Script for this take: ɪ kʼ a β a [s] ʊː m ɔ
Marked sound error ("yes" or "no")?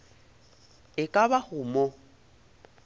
yes